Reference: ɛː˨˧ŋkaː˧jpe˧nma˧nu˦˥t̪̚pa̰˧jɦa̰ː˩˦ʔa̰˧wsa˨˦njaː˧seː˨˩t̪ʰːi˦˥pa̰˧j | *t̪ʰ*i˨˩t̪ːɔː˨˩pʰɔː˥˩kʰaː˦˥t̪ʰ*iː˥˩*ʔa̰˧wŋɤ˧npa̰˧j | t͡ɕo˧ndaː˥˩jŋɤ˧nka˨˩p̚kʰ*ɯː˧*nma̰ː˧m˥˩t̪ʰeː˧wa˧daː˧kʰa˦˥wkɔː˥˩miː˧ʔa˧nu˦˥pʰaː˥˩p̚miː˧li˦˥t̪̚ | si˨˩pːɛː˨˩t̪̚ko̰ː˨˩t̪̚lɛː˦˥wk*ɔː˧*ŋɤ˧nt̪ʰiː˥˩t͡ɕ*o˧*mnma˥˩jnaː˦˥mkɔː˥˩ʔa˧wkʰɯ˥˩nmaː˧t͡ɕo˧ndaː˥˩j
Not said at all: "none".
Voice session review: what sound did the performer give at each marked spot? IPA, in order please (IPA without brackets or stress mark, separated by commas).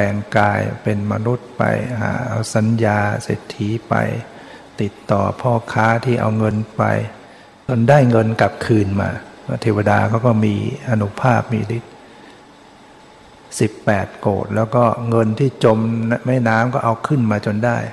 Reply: t̪, iː˥˩, ɯː˧, ɔː˥˩, o˧